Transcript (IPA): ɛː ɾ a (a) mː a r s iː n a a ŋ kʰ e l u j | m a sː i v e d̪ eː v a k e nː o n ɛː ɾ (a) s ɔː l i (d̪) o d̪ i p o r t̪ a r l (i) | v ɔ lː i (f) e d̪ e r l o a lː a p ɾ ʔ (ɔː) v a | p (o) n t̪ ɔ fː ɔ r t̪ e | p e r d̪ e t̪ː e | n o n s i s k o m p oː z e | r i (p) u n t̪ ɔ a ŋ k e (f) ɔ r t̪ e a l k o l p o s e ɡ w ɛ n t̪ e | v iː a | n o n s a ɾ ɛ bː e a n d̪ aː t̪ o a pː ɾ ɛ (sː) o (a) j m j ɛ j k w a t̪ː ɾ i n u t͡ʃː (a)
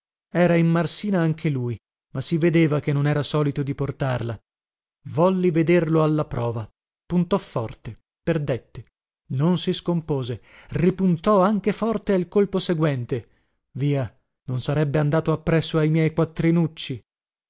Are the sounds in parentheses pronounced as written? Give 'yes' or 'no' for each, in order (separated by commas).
no, yes, no, no, no, yes, no, yes, yes, yes, yes, no